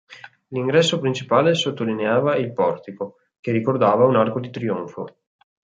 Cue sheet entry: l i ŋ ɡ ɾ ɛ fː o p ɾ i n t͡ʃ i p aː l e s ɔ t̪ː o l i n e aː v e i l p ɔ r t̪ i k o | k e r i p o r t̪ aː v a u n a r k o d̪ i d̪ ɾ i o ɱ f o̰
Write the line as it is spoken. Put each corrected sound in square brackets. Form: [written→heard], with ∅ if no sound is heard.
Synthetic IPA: l i ŋ ɡ ɾ ɛ [fː→sː] o p ɾ i n t͡ʃ i p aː l e s [ɔ→o] t̪ː o l i n e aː v [e→a] i l p ɔ r t̪ i k o | k e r i [p→k] o r [t̪→d̪] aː v a u n a r k o d̪ i [d̪→t̪] ɾ i o ɱ f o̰